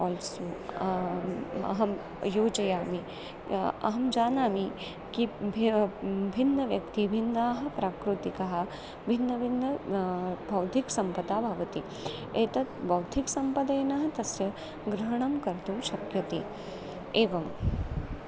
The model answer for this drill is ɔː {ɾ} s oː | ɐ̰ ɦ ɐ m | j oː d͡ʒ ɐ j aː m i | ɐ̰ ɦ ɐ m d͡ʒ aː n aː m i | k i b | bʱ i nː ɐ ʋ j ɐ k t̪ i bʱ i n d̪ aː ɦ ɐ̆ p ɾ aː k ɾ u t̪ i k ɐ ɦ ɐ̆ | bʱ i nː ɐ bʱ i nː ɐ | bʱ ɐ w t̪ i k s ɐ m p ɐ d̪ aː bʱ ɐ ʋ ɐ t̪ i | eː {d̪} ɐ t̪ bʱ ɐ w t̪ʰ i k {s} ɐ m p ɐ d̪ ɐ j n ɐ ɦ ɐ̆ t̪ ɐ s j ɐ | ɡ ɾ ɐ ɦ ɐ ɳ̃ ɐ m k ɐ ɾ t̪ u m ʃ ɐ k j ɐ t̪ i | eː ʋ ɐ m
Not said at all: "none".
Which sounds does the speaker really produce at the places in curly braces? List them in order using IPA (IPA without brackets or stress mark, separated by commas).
l, t̪, s